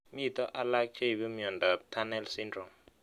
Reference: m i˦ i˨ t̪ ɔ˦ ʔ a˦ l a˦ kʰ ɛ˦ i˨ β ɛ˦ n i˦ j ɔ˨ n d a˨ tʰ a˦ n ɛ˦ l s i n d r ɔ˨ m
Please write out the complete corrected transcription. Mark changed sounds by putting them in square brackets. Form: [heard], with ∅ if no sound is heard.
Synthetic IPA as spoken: m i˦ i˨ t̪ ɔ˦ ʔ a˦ l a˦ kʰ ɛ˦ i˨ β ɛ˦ [m] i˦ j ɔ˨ n d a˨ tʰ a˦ n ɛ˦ l s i n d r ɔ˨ m